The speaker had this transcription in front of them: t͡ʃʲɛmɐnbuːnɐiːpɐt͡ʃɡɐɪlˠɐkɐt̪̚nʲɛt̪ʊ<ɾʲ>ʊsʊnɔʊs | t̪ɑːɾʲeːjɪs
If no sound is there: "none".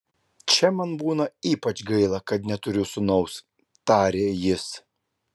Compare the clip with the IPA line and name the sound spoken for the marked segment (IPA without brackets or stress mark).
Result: ɾʲ